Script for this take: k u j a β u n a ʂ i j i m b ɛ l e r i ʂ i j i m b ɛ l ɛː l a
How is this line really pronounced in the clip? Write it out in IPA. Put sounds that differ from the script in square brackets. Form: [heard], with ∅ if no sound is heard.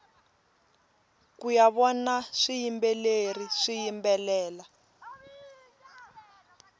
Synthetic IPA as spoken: k u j a β [ɔ] n a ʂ i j i m b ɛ l e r i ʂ i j i m b ɛ l ɛː l a